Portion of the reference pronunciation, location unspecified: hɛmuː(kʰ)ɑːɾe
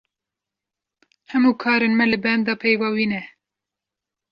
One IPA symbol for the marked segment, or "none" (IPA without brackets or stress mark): kʰ